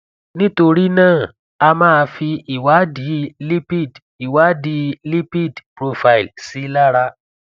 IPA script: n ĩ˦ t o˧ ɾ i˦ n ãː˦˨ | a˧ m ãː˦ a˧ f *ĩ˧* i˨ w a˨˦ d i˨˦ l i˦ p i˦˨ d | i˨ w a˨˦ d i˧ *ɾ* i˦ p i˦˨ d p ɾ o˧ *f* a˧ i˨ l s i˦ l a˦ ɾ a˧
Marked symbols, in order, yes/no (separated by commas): no, no, yes